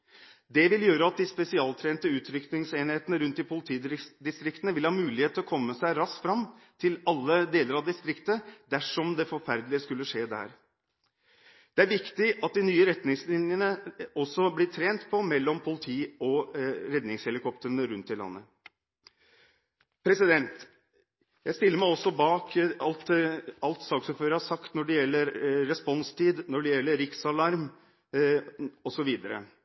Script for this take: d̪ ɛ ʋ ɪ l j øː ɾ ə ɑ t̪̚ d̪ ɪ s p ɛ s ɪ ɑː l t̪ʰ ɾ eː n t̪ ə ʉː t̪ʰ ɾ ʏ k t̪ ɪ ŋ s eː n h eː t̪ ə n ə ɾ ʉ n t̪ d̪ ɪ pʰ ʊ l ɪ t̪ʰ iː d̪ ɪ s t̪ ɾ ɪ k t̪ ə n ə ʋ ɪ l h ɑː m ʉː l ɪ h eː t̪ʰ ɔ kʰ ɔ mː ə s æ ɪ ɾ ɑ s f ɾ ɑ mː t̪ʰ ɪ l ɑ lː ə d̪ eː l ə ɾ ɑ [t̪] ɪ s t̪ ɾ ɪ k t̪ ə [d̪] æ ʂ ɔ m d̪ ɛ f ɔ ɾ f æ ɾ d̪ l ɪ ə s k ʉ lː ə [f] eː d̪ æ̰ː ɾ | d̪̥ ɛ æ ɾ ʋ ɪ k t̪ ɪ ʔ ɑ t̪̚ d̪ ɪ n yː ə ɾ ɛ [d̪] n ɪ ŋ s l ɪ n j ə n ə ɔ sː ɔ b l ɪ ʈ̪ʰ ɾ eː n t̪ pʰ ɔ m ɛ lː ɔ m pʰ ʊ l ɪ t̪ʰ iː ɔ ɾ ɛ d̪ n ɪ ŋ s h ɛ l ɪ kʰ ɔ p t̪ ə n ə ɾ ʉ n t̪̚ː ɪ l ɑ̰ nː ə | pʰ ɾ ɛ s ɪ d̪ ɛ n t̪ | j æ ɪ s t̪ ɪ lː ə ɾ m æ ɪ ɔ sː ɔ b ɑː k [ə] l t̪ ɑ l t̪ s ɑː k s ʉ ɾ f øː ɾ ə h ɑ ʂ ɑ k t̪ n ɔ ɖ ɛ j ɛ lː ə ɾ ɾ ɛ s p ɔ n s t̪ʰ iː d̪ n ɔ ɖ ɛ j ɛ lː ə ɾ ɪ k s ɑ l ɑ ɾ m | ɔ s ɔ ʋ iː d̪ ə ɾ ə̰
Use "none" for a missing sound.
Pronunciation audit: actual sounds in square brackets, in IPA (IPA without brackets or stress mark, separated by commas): d̪, d̪, ʂ, t̪, ɑ